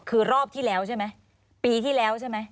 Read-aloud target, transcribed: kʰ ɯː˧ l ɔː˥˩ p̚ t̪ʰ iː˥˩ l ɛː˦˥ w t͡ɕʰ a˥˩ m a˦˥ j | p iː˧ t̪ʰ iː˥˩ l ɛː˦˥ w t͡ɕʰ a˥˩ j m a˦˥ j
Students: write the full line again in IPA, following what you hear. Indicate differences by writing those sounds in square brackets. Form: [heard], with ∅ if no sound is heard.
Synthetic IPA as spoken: kʰ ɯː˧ [ɾ] ɔː˥˩ p̚ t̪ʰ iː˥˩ l ɛː˦˥ w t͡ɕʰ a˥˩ m a˦˥ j | p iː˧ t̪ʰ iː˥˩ l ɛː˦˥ w t͡ɕʰ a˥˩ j m a˦˥ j